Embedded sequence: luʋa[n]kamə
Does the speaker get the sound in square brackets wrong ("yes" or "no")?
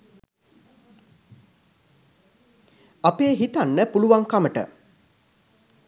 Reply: yes